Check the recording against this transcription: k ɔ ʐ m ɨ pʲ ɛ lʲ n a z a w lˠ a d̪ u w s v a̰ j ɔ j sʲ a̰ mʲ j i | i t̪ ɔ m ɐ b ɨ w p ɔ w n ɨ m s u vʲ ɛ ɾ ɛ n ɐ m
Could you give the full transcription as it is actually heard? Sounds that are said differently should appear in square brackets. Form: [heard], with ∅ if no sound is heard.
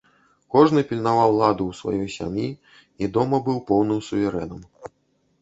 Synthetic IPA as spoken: k ɔ ʐ [n] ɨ pʲ [i] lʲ n a [v] a w lˠ a d̪ u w s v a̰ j ɔ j sʲ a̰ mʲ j i | i [d̪] ɔ m ɐ b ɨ w p ɔ w n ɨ m s u vʲ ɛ ɾ ɛ n ɐ m